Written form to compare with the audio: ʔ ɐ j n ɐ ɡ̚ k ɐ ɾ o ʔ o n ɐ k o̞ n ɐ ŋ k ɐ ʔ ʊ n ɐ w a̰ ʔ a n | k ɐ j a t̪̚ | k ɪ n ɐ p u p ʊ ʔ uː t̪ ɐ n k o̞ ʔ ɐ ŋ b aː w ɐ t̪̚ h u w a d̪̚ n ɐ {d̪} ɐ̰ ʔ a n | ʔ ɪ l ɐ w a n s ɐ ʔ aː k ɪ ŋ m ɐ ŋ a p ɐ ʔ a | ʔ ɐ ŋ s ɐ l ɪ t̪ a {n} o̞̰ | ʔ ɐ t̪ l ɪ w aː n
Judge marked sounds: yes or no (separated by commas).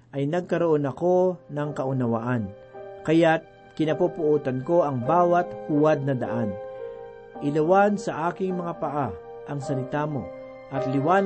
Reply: yes, no